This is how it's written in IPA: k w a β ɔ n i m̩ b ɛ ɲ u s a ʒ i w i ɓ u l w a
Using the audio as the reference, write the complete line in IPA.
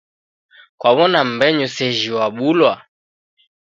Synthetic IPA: k w a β ɔ n a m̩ b ɛ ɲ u s ɛ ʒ i w a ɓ u l w a